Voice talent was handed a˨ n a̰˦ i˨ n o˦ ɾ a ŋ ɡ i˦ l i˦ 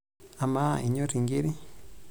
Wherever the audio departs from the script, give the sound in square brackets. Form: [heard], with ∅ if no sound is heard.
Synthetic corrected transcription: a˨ [m] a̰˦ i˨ [ɲ] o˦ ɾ [i] ŋ ɡ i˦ [ɾ] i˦